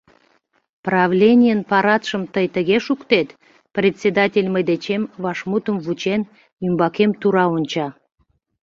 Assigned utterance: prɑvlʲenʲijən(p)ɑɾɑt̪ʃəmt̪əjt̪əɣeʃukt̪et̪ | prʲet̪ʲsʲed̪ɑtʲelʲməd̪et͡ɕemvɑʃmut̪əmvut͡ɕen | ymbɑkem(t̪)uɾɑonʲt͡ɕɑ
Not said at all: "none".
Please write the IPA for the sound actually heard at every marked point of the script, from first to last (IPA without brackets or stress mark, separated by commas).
p, t̪